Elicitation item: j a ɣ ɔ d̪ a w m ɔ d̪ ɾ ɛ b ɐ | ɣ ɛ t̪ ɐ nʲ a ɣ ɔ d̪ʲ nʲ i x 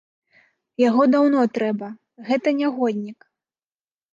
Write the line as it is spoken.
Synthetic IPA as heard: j a ɣ ɔ d̪ a w n ɔ t̪ ɾ ɛ b ɐ | ɣ ɛ t̪ ɐ nʲ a ɣ ɔ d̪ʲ nʲ i k